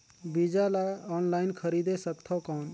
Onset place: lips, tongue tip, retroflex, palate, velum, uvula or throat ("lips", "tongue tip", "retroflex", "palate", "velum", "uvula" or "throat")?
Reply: lips